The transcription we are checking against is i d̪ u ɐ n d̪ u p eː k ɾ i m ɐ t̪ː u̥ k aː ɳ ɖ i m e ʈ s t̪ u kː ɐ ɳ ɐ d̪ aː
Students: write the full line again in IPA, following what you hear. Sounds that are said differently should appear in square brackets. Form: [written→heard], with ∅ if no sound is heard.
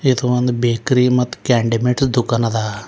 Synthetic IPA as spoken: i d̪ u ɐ n d̪ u [p→b] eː k ɾ i m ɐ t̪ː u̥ k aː ɳ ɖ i m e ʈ s [t̪→d̪] u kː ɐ [ɳ→n] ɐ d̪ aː